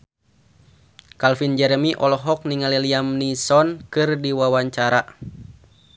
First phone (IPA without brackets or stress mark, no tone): k